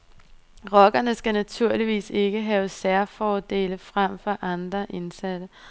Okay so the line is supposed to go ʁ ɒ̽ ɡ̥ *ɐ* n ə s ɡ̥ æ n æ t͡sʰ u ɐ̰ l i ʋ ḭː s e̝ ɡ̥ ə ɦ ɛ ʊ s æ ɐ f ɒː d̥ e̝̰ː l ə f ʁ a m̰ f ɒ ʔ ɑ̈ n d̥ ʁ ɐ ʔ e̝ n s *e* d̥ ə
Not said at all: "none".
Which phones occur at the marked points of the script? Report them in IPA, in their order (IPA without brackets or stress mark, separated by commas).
ɐ, æ